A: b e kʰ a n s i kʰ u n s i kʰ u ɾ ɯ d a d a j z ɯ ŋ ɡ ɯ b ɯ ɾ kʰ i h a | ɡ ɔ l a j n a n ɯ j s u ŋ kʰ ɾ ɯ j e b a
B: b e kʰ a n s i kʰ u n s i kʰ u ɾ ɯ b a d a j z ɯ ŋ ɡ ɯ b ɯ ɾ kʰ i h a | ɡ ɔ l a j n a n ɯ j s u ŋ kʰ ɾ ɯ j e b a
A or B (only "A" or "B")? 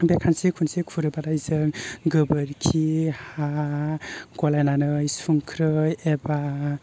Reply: B